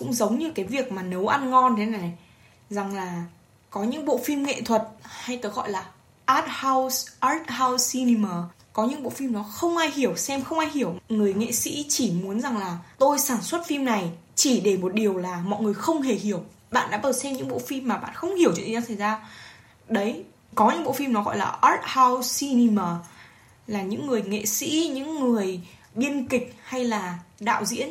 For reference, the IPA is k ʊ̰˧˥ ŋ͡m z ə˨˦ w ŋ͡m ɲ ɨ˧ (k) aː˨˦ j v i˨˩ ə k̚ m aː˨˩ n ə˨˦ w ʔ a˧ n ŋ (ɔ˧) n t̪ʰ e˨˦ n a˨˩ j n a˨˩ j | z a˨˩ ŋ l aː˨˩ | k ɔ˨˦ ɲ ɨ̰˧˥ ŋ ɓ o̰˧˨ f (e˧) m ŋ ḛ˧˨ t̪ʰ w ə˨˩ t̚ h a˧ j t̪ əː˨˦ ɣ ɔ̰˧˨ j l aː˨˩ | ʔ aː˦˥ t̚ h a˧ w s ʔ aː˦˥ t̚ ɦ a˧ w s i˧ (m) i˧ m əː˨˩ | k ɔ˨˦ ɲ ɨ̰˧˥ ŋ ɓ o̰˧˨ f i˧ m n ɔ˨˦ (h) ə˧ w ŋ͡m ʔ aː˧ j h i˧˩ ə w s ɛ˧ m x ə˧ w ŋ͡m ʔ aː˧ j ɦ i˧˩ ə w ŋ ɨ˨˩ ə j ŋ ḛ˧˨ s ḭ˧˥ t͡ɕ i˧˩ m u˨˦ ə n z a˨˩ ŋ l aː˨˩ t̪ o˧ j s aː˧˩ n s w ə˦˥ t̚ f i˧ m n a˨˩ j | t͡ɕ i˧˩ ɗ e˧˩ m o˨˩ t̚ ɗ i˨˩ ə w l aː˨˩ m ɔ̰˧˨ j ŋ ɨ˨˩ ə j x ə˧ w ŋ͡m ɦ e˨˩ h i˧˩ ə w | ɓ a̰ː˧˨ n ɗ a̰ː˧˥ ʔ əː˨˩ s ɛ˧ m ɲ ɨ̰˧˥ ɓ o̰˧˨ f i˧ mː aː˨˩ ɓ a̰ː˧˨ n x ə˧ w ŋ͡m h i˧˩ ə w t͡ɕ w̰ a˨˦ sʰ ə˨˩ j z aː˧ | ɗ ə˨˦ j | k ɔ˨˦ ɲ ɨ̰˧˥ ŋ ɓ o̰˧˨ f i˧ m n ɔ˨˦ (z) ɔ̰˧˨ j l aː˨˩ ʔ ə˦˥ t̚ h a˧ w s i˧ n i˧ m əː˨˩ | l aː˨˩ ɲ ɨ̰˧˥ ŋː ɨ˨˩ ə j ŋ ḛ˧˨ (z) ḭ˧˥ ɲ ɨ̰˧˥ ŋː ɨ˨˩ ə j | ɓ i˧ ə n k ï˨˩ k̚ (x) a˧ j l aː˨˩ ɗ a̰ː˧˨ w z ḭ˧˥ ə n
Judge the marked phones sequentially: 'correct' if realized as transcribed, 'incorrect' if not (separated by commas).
correct, correct, incorrect, incorrect, incorrect, incorrect, incorrect, incorrect